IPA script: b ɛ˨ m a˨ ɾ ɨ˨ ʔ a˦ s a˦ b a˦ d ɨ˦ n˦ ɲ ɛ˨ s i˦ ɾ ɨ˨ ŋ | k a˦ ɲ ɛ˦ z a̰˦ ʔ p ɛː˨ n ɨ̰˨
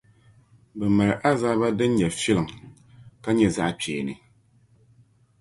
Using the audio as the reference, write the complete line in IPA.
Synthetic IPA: b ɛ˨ m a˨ ɾ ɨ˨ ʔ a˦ z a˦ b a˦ d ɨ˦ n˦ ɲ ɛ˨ f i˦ l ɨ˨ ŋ | k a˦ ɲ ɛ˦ z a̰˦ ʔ p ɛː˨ n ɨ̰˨